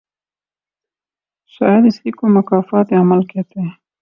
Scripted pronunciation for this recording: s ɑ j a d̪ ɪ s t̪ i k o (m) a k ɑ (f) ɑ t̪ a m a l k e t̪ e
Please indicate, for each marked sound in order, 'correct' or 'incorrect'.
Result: correct, correct

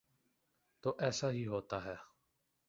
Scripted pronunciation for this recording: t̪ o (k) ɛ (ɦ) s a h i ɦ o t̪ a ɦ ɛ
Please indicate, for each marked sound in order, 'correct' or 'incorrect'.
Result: incorrect: ʔ, incorrect: none

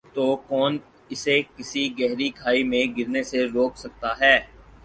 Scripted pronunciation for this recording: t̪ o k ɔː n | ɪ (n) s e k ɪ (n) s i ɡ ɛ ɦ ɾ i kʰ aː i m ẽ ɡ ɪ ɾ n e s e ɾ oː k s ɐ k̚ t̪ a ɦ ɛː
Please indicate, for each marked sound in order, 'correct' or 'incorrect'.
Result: incorrect: none, incorrect: none

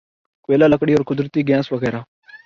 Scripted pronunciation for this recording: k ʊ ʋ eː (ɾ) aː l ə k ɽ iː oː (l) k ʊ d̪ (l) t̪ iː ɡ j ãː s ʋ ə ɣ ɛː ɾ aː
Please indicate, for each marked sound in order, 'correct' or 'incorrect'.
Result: incorrect: l, incorrect: ɾ, incorrect: ɾ

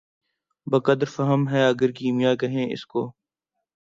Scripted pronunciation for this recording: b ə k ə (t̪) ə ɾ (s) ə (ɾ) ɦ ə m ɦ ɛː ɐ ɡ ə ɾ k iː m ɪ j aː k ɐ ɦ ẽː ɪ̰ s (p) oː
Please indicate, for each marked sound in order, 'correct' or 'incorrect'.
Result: incorrect: d̪, incorrect: f, incorrect: none, incorrect: k

